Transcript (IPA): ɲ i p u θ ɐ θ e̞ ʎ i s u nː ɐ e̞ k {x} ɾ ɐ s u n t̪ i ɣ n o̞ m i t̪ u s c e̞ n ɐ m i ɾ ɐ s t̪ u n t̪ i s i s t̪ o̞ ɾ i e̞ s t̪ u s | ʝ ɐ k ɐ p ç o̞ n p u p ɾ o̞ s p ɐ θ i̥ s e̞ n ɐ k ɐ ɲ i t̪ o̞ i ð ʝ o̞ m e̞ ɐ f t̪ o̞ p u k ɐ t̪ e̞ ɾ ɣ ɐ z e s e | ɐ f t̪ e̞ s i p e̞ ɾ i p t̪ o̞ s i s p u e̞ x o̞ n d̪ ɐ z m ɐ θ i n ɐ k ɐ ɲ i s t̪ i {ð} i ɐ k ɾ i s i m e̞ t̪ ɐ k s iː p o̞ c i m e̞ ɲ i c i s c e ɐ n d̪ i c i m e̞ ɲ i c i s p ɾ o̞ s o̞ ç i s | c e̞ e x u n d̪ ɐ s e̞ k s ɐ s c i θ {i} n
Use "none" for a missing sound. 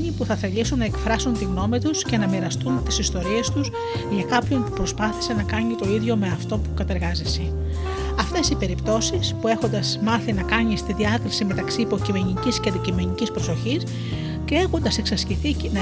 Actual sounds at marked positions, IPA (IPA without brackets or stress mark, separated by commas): f, ð, i